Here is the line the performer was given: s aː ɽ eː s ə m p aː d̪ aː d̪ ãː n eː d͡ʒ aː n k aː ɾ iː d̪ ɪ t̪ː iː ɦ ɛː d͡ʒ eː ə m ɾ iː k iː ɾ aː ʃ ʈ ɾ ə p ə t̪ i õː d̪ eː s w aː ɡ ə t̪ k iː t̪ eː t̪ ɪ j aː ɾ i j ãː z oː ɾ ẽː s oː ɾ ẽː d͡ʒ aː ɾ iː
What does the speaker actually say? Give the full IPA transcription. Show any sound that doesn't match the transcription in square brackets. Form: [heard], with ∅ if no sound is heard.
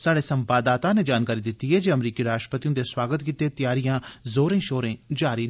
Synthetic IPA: s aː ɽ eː s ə m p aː d̪ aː [t̪] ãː n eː d͡ʒ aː n k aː ɾ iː d̪ ɪ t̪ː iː ɦ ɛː d͡ʒ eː ə m ɾ iː k iː ɾ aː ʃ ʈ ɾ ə p ə t̪ i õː d̪ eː s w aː ɡ ə t̪ k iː t̪ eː t̪ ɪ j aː ɾ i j ãː z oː ɾ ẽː [ʃ] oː ɾ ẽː d͡ʒ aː ɾ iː